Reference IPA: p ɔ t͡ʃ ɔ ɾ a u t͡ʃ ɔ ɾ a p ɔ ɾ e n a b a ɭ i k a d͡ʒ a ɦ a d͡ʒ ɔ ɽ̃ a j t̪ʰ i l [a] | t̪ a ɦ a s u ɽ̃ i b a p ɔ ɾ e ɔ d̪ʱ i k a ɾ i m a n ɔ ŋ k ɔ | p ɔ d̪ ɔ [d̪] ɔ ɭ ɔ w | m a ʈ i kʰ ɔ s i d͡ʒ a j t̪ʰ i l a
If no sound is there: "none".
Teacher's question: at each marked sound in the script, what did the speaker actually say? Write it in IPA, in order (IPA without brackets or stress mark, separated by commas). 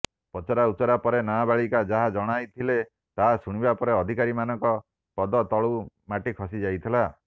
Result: e, t̪